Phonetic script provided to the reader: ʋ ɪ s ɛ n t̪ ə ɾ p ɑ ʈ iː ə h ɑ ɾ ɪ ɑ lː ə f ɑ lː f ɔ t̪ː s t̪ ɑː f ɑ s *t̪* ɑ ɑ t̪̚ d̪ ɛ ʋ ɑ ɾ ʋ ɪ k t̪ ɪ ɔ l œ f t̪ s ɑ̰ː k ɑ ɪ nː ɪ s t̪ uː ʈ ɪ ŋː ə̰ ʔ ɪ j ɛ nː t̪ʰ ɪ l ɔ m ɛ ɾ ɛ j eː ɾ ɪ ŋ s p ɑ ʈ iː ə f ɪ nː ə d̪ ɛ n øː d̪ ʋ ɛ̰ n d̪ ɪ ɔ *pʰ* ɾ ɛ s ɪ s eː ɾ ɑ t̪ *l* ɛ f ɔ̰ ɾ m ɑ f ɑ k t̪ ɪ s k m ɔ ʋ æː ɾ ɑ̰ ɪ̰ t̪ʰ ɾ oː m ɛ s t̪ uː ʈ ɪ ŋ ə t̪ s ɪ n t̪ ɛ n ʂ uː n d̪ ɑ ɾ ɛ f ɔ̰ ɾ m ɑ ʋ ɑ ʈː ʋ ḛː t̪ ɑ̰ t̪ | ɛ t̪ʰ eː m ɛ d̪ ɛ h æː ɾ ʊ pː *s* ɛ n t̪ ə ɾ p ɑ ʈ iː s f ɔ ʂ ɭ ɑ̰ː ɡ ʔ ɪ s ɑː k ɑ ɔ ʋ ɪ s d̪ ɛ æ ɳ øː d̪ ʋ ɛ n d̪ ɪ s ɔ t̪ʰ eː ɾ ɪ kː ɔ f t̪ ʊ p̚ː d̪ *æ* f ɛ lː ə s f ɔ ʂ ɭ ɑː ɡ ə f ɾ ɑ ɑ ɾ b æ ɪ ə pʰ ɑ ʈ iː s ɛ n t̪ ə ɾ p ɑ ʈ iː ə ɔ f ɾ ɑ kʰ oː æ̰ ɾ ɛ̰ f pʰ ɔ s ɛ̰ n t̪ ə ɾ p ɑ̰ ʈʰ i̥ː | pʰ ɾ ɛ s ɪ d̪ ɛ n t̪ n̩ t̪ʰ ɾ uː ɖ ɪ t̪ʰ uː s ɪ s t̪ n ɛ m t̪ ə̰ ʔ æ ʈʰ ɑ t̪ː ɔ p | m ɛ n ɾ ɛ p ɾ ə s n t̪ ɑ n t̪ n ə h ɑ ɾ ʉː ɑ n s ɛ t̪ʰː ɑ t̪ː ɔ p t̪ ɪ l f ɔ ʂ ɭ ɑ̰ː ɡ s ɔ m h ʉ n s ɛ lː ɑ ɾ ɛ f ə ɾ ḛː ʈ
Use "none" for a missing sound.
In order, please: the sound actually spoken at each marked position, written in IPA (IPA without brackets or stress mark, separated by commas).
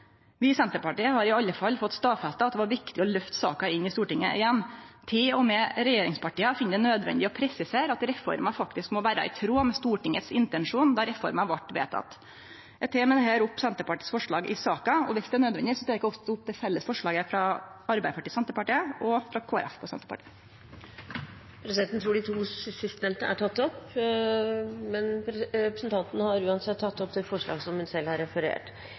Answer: t̪, pʰ, ɾ, s, ɛ